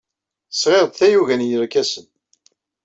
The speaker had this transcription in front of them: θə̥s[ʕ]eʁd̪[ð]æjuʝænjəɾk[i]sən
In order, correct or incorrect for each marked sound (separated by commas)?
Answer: incorrect, incorrect, incorrect